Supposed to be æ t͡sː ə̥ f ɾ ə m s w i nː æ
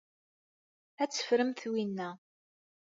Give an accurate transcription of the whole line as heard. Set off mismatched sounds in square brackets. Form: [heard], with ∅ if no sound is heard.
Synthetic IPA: æ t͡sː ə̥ f ɾ ə m [θ] w i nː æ